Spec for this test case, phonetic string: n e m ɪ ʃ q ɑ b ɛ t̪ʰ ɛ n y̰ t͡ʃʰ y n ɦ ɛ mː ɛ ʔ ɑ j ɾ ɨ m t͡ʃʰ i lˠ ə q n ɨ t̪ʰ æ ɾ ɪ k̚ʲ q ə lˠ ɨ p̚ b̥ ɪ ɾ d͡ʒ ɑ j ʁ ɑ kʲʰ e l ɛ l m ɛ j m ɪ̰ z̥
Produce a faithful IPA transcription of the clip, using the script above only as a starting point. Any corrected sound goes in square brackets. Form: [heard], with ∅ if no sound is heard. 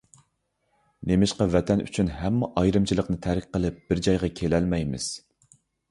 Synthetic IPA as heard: n e m ɪ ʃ q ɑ [v] ɛ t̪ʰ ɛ n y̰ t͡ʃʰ y n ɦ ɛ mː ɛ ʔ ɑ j ɾ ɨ m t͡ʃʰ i lˠ ə q n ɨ t̪ʰ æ ɾ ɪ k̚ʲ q ə lˠ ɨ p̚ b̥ ɪ ɾ d͡ʒ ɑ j ʁ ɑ kʲʰ e l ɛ l m ɛ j m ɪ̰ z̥